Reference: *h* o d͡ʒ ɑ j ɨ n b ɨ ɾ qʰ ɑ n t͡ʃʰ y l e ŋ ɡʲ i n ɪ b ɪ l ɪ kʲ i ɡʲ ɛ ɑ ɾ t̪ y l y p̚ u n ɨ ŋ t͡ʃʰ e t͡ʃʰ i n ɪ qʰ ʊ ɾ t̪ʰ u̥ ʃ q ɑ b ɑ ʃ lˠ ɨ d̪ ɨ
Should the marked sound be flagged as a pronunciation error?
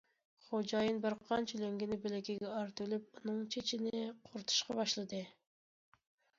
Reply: yes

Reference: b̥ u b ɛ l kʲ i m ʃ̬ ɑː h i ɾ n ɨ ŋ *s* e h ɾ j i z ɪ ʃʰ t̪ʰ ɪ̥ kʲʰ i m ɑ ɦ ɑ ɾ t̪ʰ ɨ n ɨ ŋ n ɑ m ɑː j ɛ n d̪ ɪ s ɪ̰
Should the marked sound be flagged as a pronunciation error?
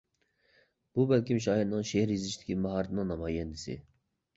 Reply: yes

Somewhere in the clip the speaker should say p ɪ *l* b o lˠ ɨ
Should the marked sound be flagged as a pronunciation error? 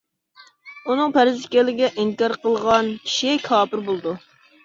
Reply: yes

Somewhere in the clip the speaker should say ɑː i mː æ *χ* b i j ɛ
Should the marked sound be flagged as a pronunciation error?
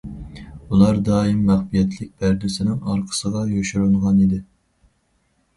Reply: no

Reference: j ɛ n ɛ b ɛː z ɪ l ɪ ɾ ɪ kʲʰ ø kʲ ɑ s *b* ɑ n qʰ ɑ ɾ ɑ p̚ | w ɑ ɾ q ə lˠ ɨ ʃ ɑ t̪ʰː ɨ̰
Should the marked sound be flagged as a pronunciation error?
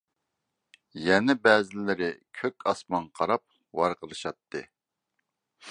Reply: yes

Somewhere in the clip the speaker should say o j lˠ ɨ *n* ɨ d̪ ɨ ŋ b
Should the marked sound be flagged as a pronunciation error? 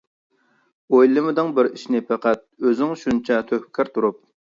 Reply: yes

